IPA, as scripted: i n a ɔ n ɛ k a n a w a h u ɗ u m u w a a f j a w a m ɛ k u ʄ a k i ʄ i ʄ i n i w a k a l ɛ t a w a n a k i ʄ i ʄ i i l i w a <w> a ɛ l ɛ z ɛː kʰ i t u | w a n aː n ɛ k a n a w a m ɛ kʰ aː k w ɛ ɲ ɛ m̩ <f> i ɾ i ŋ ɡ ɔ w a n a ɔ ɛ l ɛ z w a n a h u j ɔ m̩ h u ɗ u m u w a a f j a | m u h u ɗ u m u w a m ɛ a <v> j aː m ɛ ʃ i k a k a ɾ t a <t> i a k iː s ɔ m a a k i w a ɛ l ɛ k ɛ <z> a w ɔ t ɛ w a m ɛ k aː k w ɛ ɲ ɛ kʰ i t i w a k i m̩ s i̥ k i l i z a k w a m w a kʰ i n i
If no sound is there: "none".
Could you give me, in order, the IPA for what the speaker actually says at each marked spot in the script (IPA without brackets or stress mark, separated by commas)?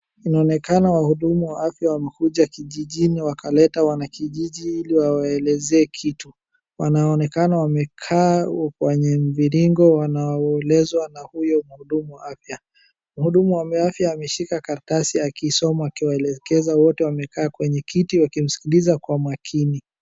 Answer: w, v, f, s, z